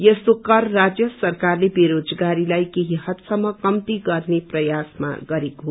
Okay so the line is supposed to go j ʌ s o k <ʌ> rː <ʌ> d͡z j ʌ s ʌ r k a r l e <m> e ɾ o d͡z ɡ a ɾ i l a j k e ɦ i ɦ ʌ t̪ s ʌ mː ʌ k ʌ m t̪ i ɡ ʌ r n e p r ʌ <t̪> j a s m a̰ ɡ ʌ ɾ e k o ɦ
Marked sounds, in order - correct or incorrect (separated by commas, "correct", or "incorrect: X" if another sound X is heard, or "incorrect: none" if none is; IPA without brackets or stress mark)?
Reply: correct, incorrect: a, incorrect: b, incorrect: none